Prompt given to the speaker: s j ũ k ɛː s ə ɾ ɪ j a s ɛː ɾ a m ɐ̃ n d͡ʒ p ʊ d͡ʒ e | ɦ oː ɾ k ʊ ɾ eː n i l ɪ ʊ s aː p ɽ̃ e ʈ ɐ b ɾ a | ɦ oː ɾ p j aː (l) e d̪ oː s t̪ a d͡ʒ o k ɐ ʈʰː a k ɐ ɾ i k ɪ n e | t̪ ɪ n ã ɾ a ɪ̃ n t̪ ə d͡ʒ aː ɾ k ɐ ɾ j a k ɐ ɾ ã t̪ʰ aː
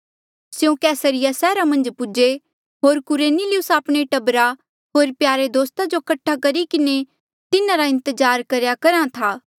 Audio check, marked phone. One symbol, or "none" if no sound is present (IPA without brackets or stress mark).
ɾ